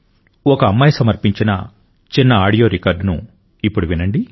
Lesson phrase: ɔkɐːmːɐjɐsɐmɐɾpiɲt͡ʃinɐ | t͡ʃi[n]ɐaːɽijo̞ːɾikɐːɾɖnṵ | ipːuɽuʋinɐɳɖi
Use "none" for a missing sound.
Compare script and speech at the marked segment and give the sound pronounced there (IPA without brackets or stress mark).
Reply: nː